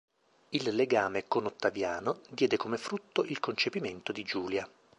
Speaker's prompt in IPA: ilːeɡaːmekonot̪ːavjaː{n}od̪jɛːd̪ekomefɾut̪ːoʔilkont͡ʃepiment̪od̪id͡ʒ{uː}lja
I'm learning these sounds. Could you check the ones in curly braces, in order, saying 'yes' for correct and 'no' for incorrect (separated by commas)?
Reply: yes, yes